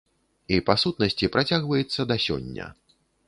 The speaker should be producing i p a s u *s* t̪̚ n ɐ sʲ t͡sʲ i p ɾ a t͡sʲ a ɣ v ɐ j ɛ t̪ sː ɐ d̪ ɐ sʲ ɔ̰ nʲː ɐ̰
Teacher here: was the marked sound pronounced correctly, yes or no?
no